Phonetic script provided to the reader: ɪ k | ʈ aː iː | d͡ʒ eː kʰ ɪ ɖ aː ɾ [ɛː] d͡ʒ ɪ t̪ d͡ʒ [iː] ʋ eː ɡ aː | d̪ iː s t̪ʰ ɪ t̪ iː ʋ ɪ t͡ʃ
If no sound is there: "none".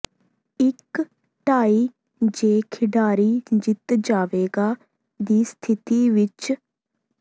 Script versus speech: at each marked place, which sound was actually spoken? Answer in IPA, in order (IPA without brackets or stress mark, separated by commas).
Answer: iː, aː